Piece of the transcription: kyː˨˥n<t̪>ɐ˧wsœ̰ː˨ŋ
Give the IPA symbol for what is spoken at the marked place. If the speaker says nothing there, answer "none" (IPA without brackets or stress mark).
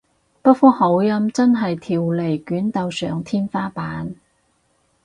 t̪